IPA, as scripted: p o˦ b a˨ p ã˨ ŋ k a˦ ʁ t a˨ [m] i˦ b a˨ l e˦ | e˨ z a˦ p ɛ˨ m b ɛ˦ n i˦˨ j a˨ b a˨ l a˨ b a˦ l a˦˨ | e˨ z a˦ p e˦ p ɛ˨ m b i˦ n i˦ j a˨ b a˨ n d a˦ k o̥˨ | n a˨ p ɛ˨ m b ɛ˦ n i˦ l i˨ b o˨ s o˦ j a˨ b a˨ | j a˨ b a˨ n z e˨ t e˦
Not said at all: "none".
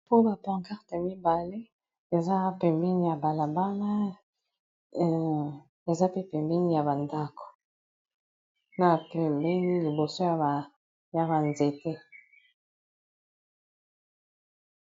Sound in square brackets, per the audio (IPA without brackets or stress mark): m